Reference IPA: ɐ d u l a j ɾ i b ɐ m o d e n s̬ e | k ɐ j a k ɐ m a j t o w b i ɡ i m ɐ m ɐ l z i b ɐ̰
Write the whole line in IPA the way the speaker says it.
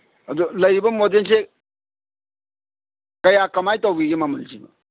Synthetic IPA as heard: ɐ d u l ɐ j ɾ i b ɐ m o d e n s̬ e | k ɐ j a k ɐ m a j t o w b i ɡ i m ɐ m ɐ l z i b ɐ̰